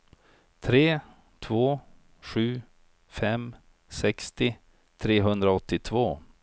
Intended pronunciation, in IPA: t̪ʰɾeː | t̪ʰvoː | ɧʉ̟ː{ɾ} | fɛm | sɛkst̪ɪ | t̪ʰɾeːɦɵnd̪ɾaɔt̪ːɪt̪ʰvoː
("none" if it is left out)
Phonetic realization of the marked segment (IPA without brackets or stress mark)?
none